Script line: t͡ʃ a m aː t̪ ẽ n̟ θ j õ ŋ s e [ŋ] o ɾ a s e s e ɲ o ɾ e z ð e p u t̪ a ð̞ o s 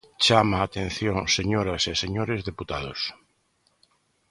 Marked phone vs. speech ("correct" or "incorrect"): incorrect